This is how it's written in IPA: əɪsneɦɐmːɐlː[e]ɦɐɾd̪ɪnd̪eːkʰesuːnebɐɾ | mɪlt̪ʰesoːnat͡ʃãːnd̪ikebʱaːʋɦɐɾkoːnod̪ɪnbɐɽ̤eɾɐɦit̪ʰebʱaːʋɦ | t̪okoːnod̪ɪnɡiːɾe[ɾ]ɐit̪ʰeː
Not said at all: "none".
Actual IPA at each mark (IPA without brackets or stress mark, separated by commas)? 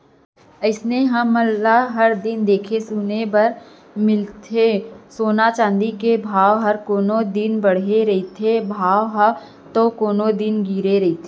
a, ɾ